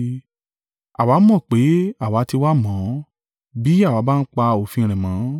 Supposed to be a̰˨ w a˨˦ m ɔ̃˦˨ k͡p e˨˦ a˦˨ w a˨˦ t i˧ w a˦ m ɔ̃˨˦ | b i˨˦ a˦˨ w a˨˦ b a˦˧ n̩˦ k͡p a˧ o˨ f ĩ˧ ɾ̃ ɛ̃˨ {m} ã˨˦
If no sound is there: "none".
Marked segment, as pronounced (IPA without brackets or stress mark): m